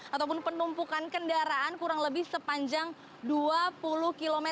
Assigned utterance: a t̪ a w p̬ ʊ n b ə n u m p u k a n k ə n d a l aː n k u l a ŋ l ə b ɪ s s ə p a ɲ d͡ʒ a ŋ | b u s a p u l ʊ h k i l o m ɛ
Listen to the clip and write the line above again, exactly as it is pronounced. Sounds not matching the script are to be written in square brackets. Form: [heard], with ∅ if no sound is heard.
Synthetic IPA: a t̪ a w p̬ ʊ n [p] ə n u m p u k a n k ə n d a [ɾ] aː n k u [ɾ] a ŋ l ə b ɪ [h] s ə p a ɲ d͡ʒ a ŋ | [d] u [∅] a p u l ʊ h k i l o m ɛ

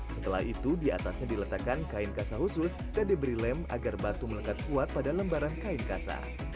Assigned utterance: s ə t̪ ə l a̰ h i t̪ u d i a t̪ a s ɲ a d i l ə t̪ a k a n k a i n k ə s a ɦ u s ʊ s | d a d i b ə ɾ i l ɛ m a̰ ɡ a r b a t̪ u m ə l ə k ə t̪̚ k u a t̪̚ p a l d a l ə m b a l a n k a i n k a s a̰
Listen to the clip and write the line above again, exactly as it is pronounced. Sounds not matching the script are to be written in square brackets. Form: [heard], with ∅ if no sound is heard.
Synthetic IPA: s ə t̪ ə l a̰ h i t̪ u d i a t̪ a s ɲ a d i l ə t̪ a k a n k a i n k [a] s a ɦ u s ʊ s | d a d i b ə ɾ i l ɛ m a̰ ɡ a r b a t̪ u m ə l ə k [a] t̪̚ k u a t̪̚ p a [∅] d a l ə m b a [ɾ] a n k a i n k a s a̰

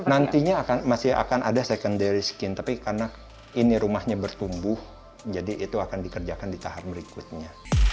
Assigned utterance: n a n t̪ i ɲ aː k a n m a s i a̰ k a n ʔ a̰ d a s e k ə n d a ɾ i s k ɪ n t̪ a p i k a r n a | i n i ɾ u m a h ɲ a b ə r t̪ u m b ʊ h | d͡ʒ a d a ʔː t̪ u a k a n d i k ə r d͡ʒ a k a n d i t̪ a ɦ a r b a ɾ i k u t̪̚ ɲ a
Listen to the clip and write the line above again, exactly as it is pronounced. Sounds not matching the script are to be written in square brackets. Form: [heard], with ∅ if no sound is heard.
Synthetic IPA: n a n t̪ i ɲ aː k a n m a s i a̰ k a n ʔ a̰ d a s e k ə n d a ɾ i s k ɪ n t̪ a p i k a r n a | i n i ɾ u m a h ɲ a b ə r t̪ u m b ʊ h | d͡ʒ a d [i] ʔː t̪ u a k a n d i k ə r d͡ʒ a k a n d i t̪ a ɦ a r b [ə] ɾ i k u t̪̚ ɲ a

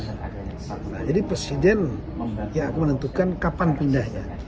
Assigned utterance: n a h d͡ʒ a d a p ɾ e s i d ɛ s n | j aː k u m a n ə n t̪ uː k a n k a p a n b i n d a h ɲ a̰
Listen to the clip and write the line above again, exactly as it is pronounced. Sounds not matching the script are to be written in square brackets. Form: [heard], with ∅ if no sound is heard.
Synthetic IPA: n a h d͡ʒ a d [i] p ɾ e s i d ɛ [∅] n | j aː k u m [ə] n ə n t̪ [u] k a n k a p a n [p] i n d a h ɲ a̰

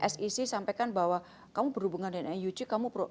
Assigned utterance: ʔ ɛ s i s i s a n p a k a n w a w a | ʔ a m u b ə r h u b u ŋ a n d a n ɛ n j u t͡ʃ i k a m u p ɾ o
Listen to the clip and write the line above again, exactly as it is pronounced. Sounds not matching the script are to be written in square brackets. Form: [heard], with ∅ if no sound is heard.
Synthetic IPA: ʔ ɛ s i s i s a [m] p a k a n [b] a w a | [k] a m u b ə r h u b u ŋ a n d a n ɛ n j u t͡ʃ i k a m u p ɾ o

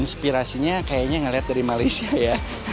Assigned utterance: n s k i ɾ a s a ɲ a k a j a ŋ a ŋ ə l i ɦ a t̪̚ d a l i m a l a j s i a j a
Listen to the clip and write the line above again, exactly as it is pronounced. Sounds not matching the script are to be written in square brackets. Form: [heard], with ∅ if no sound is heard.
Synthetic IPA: n s [p] i ɾ a s [i] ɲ a k a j a [ɲ] a ŋ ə l i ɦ a t̪̚ d a [ɾ] i m a l a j s i a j a

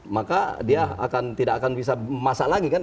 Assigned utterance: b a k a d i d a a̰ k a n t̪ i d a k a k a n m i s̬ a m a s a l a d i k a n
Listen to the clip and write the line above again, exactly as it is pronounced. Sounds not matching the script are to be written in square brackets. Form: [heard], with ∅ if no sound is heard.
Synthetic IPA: [m] a k a d i [∅] a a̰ k a n t̪ i d a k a k a n [b] i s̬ a m a s a l a [ɡ] i k a n

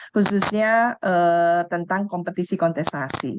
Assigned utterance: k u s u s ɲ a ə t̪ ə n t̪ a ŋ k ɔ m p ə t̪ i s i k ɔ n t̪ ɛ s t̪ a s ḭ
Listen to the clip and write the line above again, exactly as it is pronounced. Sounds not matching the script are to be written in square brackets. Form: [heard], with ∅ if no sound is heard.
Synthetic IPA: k u s u s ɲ a ə t̪ ə n t̪ a ŋ k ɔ m p ə t̪ i s i k ɔ n t̪ ɛ s t̪ a s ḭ

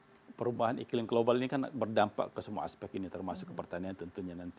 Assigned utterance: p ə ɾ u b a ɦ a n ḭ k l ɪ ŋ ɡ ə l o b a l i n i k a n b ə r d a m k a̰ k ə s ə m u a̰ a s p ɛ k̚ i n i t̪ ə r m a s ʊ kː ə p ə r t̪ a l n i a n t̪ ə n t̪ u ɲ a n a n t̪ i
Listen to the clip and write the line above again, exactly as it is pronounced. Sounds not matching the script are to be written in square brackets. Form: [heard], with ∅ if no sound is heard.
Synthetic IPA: p ə ɾ u b a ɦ a n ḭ k l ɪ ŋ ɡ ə l o b a l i n i k a n b ə r d a m [p] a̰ k ə s ə m u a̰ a s p ɛ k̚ i n i t̪ ə r m a s ʊ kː ə p ə r t̪ a [∅] n i a n t̪ ə n t̪ u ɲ a n a n t̪ i

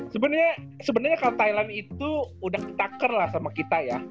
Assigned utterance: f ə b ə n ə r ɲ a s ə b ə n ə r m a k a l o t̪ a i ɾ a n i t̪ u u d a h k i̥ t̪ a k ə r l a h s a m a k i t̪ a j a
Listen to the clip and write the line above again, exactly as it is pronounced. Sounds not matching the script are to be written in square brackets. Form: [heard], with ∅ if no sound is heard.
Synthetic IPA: [s] ə b ə n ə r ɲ a s ə b ə n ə r [ɲ] a k a l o t̪ a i [l] a n i t̪ u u d a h k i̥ t̪ a k ə r l a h s a m a k i t̪ a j a

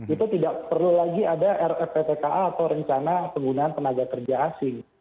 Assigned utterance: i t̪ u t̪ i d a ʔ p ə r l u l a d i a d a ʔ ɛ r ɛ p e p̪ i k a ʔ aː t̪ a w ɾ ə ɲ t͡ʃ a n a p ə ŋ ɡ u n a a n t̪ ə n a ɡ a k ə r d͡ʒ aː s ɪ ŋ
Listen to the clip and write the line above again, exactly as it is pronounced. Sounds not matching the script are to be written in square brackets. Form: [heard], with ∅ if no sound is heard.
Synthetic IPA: i t̪ u t̪ i d a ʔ p ə r l u l a [ɡ] i a d a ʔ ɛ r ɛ p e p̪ [e] k a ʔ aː t̪ a w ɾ ə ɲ t͡ʃ a n a p ə ŋ ɡ u n a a n t̪ ə n a ɡ a k ə r d͡ʒ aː s ɪ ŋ

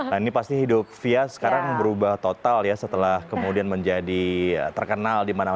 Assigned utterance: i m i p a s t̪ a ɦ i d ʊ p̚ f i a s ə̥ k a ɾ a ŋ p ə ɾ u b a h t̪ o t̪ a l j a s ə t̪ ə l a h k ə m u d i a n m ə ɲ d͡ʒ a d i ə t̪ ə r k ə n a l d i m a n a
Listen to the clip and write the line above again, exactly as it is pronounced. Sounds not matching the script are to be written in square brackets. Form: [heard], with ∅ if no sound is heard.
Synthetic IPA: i [n] i p a s t̪ [i] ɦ i d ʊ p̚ f i a s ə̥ k a ɾ a ŋ [b] ə ɾ u b a h t̪ o t̪ a l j a s ə t̪ ə l a h k ə m u d i a n m ə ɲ d͡ʒ a d i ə t̪ ə r k ə n a l d i m a n a

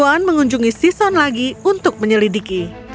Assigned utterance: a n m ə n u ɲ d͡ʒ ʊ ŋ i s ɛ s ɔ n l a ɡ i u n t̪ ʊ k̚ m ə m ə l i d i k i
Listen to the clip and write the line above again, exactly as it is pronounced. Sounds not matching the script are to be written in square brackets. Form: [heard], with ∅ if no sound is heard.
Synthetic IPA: a n m ə [ŋ] u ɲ d͡ʒ [u] ŋ i s [i] s ɔ n l a ɡ i u n t̪ ʊ k̚ m ə [ɲ] ə l i d i k i

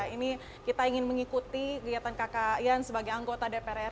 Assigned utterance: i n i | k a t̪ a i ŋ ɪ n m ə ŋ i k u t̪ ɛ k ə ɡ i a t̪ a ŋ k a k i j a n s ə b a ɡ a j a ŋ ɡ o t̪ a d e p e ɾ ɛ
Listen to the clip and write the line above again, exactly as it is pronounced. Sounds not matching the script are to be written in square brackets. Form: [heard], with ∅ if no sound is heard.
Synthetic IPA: i n i | k [i] t̪ a i ŋ ɪ n m ə ŋ i k u t̪ [i] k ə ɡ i a t̪ a [n] k a k [a] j a n s ə b a ɡ a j a ŋ ɡ o t̪ a d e p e ɾ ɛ

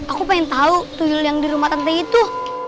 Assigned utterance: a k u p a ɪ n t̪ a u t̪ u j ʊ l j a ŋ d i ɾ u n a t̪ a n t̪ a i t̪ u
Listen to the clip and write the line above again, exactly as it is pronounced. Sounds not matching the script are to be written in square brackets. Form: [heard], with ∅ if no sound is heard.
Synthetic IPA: a k u p a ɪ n t̪ a u t̪ u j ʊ l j a ŋ d i ɾ u [m] a t̪ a n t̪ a i t̪ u

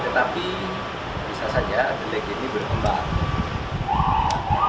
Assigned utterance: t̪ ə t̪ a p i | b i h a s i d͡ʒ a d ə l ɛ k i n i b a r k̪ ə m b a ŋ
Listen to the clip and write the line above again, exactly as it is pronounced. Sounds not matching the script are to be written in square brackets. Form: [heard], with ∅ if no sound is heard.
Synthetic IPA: t̪ ə t̪ a p i | b i [s] a s [a] d͡ʒ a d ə l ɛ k i n i b [ə] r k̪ ə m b a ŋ

